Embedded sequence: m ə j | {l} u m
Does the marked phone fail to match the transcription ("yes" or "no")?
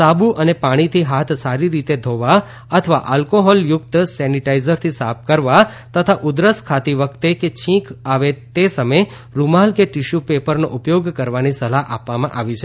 yes